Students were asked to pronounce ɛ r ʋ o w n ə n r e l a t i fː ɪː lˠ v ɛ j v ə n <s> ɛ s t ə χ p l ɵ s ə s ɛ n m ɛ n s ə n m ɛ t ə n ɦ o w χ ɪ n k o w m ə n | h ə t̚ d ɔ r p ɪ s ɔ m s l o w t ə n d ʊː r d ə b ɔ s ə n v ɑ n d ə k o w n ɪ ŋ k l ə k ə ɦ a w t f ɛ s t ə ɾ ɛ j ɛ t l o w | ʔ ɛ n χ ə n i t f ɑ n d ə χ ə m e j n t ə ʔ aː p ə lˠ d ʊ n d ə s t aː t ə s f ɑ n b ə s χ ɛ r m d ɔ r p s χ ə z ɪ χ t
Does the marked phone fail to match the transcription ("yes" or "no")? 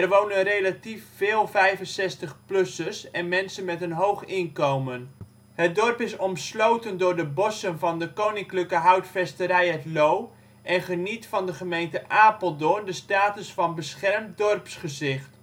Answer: no